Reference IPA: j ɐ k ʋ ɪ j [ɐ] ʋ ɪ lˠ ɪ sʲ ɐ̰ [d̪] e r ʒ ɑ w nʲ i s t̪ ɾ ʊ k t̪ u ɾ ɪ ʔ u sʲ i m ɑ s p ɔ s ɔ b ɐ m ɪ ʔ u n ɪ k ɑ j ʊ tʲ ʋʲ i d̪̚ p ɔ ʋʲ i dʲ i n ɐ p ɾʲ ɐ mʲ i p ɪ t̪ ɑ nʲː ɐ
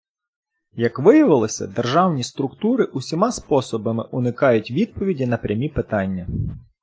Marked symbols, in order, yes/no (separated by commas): yes, yes